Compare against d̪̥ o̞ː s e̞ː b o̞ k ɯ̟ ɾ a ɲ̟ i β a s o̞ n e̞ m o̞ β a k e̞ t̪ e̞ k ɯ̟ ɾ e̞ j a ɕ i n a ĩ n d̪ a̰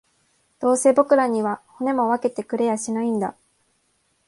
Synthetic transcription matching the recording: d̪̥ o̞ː s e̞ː b o̞ k ɯ̟ ɾ a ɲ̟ i β a h o̞ n e̞ m o̞ β a k e̞ t̪ e̞ k ɯ̟ ɾ e̞ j a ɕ i n a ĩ n d̪ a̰